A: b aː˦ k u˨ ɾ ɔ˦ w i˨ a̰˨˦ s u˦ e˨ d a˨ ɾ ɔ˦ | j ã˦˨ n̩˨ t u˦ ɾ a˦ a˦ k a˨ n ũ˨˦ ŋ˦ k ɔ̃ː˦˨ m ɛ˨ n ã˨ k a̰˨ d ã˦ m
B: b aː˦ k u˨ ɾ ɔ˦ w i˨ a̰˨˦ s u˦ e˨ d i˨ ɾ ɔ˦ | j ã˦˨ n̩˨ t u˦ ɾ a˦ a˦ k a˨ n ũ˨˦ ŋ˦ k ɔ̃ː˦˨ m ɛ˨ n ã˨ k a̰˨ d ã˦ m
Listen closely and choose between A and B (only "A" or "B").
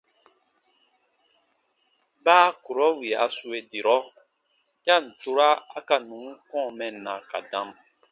B